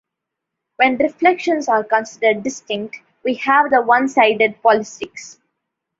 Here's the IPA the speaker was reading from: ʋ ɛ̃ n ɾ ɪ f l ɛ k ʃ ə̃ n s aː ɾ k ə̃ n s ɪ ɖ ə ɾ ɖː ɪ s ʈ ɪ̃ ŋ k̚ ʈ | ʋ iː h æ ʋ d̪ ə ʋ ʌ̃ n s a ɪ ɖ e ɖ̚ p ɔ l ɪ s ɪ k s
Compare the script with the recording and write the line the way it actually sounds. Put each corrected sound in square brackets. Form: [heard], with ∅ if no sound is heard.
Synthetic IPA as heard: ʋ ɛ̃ n ɾ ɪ f l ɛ k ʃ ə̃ n s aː ɾ k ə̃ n s ɪ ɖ ə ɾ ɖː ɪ s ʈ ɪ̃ ŋ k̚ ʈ | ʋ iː h æ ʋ d̪ ə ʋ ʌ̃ n s a ɪ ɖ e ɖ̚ p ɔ l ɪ s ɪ k s